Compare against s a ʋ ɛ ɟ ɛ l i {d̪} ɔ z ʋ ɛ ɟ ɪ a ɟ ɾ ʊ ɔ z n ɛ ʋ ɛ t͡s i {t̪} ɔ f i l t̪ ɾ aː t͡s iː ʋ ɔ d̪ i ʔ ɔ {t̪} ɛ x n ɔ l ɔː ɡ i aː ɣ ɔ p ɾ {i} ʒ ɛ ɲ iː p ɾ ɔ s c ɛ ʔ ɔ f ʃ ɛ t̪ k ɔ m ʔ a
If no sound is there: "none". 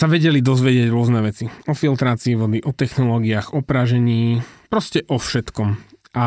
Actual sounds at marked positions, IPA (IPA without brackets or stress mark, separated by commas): d̪, none, t̪, a